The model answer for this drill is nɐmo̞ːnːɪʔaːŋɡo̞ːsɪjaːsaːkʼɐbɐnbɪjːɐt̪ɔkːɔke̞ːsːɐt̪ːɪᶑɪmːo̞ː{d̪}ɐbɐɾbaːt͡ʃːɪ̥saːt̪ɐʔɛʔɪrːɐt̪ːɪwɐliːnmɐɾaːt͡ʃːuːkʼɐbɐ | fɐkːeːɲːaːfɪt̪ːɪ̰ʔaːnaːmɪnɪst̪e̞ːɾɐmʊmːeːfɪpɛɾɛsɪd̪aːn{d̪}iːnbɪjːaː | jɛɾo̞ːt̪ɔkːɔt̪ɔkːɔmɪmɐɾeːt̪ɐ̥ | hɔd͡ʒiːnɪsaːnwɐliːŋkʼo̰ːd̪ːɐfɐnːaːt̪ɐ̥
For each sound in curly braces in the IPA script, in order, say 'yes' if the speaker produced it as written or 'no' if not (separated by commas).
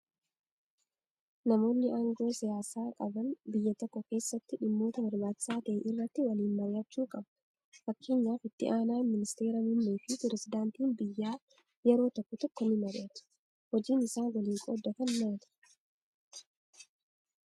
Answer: no, no